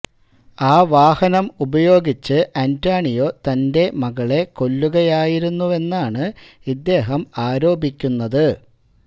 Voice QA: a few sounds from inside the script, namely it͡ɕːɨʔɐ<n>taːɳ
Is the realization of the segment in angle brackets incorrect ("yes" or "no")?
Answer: no